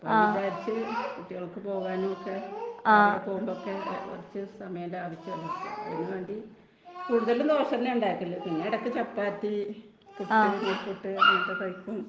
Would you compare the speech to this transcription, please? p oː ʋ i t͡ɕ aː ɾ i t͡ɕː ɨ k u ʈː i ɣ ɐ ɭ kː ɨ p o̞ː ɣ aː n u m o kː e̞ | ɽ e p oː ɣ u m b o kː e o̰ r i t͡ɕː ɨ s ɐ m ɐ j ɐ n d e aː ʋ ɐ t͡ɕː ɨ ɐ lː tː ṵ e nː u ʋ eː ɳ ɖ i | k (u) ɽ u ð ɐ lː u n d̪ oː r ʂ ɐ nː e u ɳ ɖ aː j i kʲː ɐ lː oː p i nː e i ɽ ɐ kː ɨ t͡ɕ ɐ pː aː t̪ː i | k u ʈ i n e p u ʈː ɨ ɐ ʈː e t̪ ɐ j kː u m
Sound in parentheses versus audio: incorrect: uː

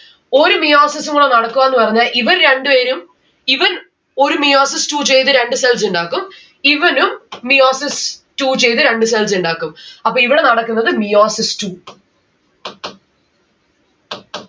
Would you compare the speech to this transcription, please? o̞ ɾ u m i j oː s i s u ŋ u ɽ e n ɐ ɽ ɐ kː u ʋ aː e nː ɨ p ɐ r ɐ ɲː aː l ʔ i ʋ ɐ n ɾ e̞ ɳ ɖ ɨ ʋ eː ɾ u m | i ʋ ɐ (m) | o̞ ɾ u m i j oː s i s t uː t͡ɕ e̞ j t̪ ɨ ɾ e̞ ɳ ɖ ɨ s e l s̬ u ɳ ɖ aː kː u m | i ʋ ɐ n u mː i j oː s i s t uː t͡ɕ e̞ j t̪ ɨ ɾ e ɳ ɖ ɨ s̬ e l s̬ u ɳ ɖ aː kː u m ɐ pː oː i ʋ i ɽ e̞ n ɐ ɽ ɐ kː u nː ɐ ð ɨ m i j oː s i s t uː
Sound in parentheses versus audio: incorrect: n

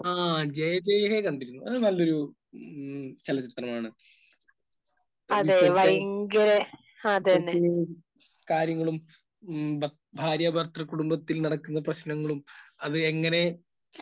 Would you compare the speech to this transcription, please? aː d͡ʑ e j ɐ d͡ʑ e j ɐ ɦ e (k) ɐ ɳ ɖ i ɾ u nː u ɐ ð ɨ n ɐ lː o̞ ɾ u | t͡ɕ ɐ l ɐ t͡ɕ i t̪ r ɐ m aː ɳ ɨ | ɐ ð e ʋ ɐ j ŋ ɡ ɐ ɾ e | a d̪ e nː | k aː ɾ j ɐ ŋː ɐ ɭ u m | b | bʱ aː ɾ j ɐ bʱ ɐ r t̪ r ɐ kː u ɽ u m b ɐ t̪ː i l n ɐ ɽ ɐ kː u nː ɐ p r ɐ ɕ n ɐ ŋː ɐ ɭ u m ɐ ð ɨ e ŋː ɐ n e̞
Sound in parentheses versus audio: correct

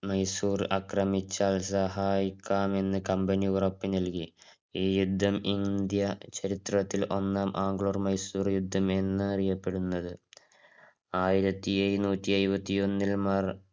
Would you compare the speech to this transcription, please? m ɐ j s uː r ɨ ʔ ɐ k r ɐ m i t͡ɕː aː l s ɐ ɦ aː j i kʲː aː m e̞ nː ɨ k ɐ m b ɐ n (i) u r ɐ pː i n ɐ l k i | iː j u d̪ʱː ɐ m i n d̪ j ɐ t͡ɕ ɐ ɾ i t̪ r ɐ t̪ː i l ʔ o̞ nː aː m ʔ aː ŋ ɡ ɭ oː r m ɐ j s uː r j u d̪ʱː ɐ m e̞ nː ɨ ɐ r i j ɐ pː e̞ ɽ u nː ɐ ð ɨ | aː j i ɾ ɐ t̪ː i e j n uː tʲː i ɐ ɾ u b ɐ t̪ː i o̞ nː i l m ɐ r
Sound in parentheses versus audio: correct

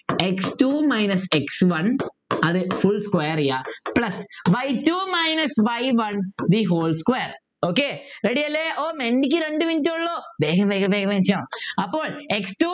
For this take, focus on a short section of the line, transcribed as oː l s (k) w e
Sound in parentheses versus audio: correct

